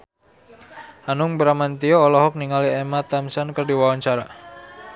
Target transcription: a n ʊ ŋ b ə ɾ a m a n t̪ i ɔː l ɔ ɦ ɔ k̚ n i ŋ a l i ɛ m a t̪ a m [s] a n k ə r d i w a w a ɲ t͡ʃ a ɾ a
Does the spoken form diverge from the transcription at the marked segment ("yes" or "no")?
no